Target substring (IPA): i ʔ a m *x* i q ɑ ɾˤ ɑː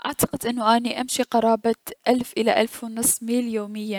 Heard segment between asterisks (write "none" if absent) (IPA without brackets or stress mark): ʃ